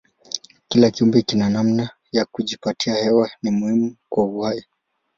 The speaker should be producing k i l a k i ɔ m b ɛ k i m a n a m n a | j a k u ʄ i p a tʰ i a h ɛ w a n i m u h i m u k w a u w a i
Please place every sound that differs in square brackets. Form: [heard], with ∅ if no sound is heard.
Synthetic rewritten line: k i l a k i [u] m b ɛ k i [n] a n a m n a | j a k u ʄ i p a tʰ i a h ɛ w a n i m u h i m u k w a u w a i